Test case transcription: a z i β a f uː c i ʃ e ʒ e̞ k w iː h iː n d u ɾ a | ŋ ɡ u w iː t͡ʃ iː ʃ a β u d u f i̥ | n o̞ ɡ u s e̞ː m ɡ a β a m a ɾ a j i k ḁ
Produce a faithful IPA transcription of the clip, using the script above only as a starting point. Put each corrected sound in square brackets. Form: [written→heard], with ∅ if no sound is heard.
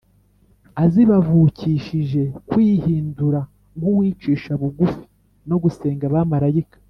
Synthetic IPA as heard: a z i β a [f→v] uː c i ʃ [e→i] ʒ e̞ k w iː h iː n d u ɾ a | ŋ ɡ u w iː t͡ʃ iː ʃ a β u [d→ɡ] u f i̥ | n o̞ ɡ u s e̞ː [m→ŋ] ɡ a β a m a ɾ a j i k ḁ

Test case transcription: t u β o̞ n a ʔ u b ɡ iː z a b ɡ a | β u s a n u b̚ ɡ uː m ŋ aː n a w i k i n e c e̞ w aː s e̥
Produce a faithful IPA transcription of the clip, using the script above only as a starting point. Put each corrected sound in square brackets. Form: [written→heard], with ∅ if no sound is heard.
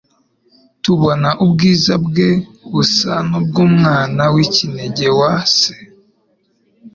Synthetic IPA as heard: t u β o̞ n a ʔ u b ɡ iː z a b ɡ [a→e] | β u s a n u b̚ ɡ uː m ŋ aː n a w i [k→c] i n e [c→ɟ] e̞ w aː s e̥

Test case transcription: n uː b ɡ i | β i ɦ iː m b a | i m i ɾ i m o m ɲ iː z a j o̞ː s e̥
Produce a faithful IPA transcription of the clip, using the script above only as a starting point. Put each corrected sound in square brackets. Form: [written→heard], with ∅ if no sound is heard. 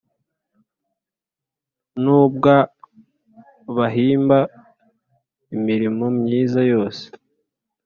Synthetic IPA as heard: n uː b ɡ [i→a] | β [i→a] ɦ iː m b a | i m i ɾ i m o m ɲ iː z a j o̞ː s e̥

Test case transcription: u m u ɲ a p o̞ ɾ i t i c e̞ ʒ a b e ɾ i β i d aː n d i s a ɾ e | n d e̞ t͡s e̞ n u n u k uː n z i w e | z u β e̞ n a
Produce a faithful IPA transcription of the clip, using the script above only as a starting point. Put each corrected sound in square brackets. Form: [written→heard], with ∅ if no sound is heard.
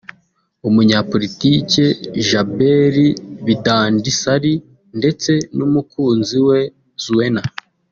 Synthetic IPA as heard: u m u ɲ a p o̞ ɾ i t i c e̞ ʒ a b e ɾ i β i d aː n d i s a ɾ [e→i] | n d e̞ t͡s e̞ n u [n→m] u k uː n z i w e | z u [β→w] e̞ n a

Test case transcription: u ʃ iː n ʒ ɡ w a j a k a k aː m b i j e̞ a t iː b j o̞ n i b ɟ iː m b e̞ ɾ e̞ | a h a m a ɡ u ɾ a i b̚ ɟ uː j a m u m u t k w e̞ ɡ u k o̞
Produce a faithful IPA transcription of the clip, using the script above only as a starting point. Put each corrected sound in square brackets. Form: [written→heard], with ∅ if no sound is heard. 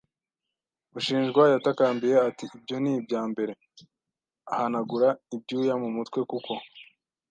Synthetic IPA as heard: u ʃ iː n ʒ ɡ w a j a [k→t] a k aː m b i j e̞ a t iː b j o̞ n i b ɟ [iː→aː] m b e̞ ɾ e̞ | a h a [m→n] a ɡ u ɾ a i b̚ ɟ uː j a m u m u t k w e̞ [ɡ→k] u k o̞

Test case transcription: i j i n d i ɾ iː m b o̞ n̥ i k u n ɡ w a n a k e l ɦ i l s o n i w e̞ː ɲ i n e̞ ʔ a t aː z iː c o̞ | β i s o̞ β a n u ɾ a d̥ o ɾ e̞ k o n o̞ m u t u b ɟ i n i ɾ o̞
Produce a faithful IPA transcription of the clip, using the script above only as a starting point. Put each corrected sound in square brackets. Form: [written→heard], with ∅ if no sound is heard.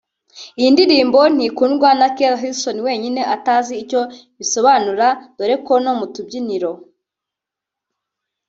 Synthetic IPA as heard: i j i n d i ɾ iː m b o̞ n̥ i k u n ɡ w a n a k e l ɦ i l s o n i w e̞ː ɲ i n e̞ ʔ a t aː z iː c o̞ | β i s o̞ β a n u ɾ a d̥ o ɾ e̞ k o n o̞ m u t u b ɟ i n i ɾ o̞

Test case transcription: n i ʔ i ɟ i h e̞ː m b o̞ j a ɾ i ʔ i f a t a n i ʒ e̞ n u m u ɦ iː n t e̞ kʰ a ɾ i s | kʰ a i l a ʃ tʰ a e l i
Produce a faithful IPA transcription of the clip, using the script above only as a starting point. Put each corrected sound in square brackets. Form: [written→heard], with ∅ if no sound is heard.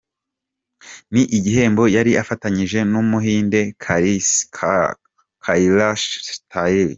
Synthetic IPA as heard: n i ʔ i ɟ i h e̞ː m b o̞ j a ɾ i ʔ [i→a] f a t a [n→ɲ] i ʒ e̞ n u m u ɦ iː n [t→d] e̞ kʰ a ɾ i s | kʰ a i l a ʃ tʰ a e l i

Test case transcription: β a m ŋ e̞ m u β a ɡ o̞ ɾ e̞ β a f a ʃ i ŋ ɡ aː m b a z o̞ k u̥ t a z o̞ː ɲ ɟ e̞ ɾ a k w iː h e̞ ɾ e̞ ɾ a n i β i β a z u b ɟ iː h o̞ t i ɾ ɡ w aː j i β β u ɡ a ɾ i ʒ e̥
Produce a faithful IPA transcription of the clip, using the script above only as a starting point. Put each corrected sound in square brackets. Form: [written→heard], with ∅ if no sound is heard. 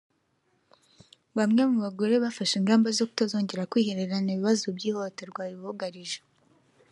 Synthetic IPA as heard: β a m ŋ e̞ m u β a ɡ o̞ ɾ e̞ β a f a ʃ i ŋ ɡ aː m b a z o̞ k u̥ t a z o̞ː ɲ ɟ e̞ ɾ a k w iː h e̞ ɾ e̞ ɾ a n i β i β a z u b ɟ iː h o̞ t [i→e] ɾ ɡ w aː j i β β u ɡ a ɾ i ʒ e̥

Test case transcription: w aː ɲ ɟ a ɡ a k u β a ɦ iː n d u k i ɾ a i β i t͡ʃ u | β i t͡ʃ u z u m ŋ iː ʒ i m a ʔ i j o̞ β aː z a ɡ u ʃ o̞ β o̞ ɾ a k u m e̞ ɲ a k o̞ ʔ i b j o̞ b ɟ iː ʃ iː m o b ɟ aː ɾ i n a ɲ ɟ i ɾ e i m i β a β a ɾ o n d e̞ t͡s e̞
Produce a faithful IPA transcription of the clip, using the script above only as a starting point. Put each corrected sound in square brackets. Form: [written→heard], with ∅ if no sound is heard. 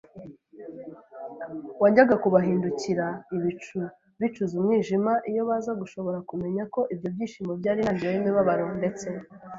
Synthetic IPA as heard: w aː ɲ ɟ a ɡ a k u β a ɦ iː n d u [k→c] i ɾ a i β i t͡ʃ u | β i t͡ʃ u z u m ŋ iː ʒ i m a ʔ i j o̞ β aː z a ɡ u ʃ o̞ β o̞ ɾ a k u m e̞ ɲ a k o̞ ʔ i b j o̞ b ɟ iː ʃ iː m o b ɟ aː ɾ i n a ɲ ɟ i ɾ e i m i β a β a ɾ o n d e̞ t͡s e̞

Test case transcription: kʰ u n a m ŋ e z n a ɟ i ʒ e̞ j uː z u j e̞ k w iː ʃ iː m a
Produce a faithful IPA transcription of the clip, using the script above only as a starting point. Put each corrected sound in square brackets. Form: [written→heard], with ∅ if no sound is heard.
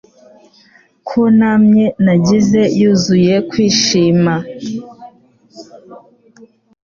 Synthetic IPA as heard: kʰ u n a m [ŋ→ɲ] e [z→∅] n a ɟ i [ʒ→z] e̞ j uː z u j e̞ k w iː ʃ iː m a

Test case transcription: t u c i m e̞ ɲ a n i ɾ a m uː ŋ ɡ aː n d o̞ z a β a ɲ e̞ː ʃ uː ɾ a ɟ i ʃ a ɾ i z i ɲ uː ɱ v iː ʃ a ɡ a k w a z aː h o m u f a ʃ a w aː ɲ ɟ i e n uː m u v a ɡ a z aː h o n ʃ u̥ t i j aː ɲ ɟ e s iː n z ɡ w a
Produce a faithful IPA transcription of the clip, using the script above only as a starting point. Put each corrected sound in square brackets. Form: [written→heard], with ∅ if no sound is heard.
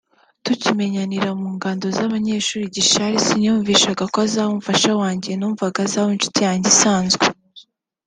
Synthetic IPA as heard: t u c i m e̞ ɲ a n i ɾ a m uː ŋ ɡ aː n d o̞ z a β a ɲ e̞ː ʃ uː ɾ [a→i] ɟ i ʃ a ɾ i [z→s] i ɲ uː ɱ v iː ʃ a ɡ a k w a z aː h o m u f a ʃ a w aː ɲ ɟ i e n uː m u v a ɡ a z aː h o n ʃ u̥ t i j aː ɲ ɟ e s [iː→aː] n z ɡ w [a→e]

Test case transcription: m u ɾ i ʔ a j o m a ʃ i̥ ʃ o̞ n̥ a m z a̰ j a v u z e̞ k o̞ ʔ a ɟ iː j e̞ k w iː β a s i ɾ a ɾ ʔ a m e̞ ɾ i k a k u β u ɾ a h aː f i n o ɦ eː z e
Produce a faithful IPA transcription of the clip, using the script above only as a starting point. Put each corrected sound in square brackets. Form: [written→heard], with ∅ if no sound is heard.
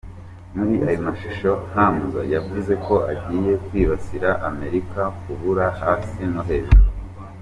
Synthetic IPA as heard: m u ɾ i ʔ a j o m a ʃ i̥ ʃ o̞ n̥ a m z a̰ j a v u z e̞ k o̞ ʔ a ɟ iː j e̞ k w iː β a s i ɾ a [ɾ→∅] ʔ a m e̞ ɾ i k a k u β u ɾ a h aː [f→s] i n o ɦ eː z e

